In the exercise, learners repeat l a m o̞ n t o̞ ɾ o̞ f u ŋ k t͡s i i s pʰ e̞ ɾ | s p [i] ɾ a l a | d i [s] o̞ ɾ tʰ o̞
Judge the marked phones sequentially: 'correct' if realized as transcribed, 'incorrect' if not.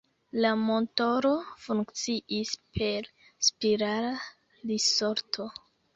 correct, correct

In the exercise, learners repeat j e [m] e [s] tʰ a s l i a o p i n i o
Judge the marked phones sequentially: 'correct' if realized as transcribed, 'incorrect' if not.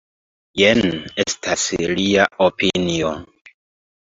incorrect: n, correct

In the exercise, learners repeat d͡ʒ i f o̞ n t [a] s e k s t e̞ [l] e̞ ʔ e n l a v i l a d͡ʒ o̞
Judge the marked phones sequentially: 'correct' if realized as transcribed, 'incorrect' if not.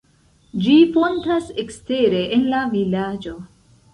correct, incorrect: ɾ

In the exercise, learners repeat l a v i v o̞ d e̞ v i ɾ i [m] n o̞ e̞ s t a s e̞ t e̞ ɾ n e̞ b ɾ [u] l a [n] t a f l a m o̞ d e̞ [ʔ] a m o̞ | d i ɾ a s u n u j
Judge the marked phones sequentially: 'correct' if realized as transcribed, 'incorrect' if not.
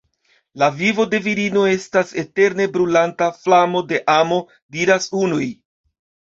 incorrect: none, correct, correct, correct

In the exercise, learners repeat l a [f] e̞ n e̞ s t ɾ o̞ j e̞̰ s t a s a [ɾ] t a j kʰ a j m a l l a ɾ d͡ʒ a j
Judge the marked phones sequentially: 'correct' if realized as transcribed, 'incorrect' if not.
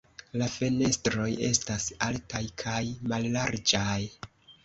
correct, incorrect: l

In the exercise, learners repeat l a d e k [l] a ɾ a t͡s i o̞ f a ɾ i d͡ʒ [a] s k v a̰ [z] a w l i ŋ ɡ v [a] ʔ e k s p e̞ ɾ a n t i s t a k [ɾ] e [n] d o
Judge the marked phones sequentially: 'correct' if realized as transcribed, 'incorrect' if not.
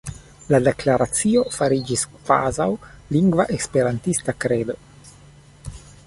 correct, incorrect: i, correct, correct, correct, incorrect: none

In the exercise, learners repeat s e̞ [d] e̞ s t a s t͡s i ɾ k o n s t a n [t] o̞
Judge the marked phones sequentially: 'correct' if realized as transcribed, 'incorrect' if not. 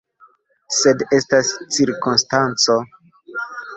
correct, incorrect: t͡s

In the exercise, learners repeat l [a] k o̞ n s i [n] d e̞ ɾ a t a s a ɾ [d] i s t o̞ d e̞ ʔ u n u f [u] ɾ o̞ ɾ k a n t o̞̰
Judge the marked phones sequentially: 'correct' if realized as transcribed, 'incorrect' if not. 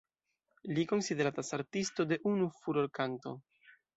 incorrect: i, incorrect: none, incorrect: t, correct

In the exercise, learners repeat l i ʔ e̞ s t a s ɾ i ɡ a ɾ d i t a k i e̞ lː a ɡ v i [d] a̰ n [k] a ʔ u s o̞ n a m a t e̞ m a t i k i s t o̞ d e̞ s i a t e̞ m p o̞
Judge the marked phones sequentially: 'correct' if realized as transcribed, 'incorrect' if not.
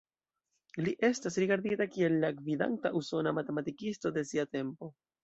correct, incorrect: t

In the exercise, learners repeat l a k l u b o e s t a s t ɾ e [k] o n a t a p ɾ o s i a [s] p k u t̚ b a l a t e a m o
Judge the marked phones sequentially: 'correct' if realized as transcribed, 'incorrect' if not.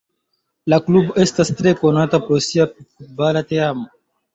correct, incorrect: none

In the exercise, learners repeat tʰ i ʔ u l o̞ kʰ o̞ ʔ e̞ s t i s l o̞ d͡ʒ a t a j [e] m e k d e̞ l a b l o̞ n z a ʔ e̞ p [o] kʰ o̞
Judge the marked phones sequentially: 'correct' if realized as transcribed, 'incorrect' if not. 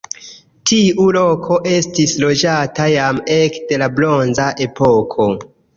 incorrect: a, correct

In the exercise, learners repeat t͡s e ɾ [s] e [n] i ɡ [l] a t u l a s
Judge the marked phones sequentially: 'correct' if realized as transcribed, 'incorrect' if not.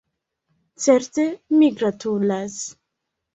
incorrect: t, incorrect: m, incorrect: ɾ

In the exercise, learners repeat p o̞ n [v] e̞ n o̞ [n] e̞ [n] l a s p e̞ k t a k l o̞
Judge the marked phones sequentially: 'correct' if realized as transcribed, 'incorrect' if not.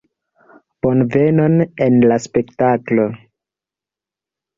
correct, correct, correct

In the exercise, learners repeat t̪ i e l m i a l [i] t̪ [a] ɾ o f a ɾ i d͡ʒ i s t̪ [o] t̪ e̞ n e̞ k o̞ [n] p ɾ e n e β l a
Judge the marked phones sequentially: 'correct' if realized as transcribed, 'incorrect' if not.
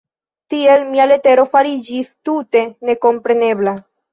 incorrect: e, incorrect: e, incorrect: u, incorrect: m

